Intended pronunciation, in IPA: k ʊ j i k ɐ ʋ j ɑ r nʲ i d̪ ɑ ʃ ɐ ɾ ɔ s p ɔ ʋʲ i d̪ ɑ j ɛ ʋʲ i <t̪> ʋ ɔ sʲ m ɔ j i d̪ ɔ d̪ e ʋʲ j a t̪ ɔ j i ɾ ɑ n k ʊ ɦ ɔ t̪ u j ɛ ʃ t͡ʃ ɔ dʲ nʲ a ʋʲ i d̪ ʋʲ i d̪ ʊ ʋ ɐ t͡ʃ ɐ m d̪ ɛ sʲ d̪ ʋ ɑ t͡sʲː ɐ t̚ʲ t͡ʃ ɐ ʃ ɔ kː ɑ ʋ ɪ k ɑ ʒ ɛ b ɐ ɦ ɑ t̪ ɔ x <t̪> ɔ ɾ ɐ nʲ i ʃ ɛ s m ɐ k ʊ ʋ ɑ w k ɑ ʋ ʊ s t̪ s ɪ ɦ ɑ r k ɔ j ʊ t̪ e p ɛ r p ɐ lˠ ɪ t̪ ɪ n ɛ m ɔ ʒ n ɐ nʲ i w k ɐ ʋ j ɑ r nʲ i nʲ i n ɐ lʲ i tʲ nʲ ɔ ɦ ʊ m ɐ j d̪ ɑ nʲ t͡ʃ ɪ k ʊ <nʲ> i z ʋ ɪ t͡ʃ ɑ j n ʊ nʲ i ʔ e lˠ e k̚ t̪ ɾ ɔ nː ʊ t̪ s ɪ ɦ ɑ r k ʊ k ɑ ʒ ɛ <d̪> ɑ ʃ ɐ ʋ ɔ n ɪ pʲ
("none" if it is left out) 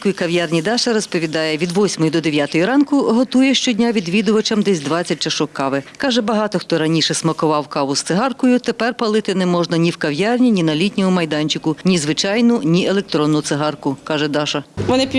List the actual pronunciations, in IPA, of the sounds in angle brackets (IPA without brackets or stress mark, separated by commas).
d̪, t̪, nʲ, d̪